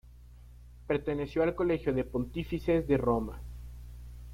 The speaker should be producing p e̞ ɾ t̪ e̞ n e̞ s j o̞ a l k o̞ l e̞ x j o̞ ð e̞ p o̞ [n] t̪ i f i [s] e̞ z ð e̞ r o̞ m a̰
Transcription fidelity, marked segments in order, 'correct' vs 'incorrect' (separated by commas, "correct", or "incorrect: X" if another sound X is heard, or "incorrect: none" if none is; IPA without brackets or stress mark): correct, correct